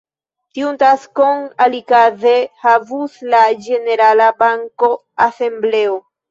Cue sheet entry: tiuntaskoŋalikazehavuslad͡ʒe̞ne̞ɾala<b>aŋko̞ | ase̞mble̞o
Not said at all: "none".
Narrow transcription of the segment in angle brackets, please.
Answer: b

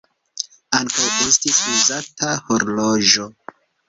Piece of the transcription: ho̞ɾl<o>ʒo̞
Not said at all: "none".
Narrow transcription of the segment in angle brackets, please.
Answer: o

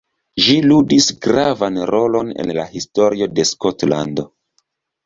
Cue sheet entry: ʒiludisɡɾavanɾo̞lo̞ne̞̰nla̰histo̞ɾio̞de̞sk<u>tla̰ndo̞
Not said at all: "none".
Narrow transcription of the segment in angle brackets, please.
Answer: o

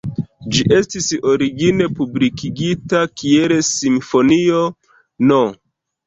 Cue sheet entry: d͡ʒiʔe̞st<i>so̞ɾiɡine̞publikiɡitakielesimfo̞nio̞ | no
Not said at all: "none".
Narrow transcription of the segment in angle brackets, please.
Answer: i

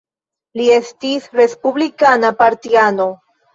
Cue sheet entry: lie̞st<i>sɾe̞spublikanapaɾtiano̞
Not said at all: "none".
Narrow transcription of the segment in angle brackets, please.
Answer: i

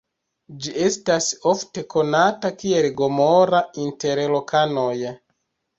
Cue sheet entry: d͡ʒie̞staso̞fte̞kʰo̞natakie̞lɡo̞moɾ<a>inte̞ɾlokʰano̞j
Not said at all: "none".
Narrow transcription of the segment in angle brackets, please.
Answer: a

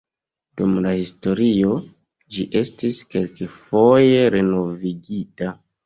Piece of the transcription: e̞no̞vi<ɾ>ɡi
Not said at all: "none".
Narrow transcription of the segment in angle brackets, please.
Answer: none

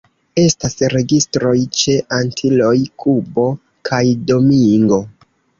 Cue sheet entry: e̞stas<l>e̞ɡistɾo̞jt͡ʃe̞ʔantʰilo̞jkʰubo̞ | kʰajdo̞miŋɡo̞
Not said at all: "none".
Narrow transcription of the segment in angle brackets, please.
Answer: ɾ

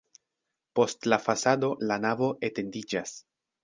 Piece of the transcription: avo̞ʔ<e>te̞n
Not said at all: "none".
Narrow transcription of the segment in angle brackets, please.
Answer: e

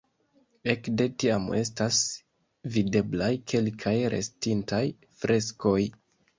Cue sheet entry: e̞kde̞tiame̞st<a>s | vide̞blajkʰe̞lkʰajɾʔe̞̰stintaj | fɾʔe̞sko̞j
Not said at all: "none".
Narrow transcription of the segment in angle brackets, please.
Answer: a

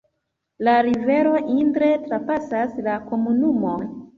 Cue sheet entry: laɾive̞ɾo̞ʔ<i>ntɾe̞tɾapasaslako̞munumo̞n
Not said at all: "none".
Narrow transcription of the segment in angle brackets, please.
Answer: i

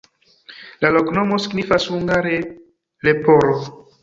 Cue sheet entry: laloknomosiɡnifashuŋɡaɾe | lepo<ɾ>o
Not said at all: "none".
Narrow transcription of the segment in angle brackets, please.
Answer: ɾ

